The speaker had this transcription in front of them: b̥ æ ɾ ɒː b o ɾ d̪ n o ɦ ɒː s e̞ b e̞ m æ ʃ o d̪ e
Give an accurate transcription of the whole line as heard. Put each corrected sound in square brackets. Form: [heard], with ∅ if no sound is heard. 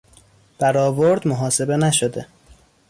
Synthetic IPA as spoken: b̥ æ ɾ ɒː [v] o ɾ d̪ [m] o ɦ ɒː s e̞ b e̞ [n] æ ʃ o d̪ e